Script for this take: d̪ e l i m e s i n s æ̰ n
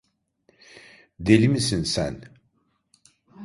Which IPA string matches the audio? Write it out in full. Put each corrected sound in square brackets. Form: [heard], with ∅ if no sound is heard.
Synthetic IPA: d̪ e l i m [i] s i n s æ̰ n